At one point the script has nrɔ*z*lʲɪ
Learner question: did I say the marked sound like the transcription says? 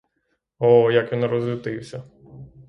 yes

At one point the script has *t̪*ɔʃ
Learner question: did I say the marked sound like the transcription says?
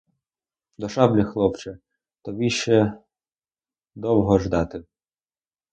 no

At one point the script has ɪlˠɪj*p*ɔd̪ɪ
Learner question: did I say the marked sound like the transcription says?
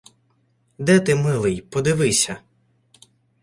yes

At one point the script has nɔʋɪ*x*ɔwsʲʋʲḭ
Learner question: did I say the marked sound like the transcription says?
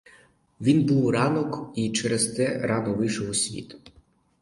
no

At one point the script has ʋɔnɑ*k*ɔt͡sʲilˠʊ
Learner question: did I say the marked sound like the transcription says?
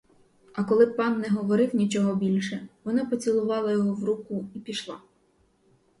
no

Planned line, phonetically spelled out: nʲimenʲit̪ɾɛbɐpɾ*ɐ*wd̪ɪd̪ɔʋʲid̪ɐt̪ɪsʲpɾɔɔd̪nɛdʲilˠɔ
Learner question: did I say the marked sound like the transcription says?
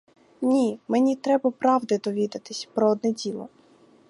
no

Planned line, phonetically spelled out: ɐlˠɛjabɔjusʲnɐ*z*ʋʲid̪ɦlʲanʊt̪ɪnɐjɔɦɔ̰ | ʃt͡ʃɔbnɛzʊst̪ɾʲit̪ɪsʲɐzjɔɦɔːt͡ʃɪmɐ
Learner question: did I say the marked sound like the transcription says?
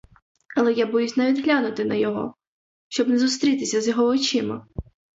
no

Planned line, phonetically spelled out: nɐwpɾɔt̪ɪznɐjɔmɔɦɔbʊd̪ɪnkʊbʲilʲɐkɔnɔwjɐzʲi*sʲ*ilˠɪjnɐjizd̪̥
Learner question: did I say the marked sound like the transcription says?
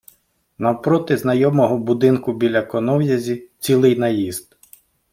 no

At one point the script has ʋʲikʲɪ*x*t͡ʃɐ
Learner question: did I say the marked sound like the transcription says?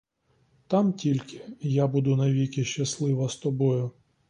no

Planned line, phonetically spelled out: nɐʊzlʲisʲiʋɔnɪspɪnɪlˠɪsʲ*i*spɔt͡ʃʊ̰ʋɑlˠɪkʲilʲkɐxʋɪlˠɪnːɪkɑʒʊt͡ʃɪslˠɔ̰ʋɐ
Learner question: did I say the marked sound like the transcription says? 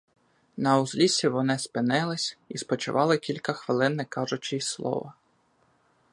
yes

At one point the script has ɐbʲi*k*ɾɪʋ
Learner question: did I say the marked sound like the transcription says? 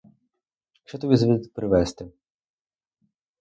no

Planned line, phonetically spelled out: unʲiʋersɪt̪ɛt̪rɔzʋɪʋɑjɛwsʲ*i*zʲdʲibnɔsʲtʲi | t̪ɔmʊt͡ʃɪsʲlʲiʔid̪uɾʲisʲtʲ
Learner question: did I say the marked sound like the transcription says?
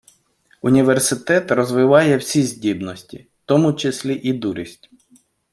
yes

